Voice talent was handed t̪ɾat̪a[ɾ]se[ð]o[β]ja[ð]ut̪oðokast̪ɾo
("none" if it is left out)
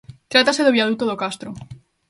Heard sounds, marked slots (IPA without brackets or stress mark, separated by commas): none, ð, β, ð